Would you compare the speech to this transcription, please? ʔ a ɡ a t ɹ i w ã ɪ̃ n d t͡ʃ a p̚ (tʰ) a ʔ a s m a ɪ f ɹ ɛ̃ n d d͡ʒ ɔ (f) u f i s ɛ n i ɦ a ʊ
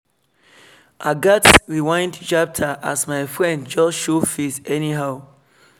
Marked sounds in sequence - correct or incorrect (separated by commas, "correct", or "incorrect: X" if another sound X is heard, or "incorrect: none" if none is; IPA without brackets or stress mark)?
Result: correct, incorrect: ʃ